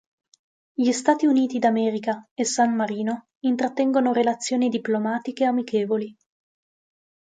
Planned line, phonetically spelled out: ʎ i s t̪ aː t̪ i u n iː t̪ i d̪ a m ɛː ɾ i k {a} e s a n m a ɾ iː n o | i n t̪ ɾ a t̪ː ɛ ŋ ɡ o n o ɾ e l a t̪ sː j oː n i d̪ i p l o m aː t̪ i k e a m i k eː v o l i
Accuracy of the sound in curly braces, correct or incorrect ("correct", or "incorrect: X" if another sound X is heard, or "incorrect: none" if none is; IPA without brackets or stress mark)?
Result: correct